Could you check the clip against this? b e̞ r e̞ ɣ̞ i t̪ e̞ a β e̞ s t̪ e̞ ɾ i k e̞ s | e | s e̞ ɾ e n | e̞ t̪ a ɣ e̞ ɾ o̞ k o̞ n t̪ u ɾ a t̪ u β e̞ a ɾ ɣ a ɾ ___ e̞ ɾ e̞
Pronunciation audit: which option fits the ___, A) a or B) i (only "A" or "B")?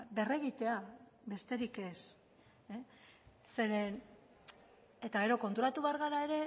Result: A